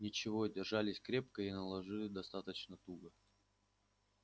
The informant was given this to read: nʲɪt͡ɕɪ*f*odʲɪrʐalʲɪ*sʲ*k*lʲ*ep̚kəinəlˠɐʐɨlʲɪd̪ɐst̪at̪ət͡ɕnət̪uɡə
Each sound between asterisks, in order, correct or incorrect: incorrect: v, correct, incorrect: ɾʲ

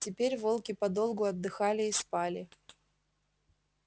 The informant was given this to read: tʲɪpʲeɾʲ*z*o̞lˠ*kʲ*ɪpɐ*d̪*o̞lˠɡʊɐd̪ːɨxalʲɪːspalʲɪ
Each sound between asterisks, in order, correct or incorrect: incorrect: v, correct, correct

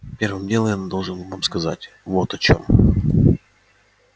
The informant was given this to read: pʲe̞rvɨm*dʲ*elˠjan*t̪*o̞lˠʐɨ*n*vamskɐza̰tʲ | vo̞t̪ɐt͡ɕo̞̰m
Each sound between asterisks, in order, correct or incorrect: correct, incorrect: d̪, correct

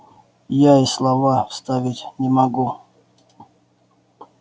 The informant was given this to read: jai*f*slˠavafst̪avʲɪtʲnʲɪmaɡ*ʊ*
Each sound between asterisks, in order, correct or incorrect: incorrect: none, incorrect: u

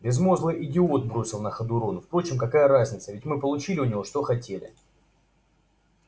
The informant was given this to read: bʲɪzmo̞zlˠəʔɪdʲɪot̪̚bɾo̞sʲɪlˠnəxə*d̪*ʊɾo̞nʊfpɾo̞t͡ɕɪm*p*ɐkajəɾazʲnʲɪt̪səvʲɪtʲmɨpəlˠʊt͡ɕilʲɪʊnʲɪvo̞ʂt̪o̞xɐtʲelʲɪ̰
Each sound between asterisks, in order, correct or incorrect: correct, incorrect: k

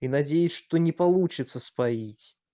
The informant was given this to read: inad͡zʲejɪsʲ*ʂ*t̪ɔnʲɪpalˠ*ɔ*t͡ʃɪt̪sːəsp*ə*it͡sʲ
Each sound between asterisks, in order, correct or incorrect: correct, incorrect: u, incorrect: a

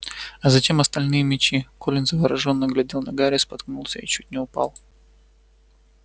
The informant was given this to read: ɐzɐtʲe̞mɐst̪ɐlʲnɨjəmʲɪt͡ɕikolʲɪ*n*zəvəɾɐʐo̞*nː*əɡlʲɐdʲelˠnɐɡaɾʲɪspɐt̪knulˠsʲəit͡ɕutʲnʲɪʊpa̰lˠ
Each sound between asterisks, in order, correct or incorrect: correct, correct

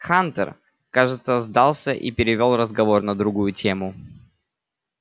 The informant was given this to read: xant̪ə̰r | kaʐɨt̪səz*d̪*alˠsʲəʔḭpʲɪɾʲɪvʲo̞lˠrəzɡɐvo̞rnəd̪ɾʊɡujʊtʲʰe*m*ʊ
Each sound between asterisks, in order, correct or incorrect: correct, correct

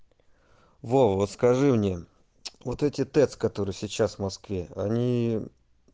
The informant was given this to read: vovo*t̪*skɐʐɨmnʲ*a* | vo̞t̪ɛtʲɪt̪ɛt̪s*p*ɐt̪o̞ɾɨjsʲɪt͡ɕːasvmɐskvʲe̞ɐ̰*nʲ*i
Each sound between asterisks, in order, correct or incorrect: correct, incorrect: e, incorrect: k, correct

